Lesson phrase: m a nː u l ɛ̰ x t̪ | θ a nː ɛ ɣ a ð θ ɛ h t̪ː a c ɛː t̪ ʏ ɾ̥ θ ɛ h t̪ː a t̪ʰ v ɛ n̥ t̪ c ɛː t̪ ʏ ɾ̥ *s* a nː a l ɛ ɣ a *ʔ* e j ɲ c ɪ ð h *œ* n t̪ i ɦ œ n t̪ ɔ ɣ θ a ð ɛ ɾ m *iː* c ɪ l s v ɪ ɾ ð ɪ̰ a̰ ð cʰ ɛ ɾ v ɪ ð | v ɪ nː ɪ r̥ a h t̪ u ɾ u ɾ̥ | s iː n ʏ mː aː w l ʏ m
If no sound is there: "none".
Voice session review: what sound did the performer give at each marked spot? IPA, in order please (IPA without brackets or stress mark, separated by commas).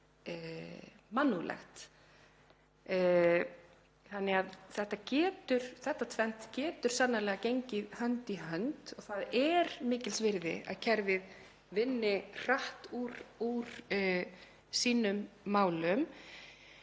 s, c, œ, ɪː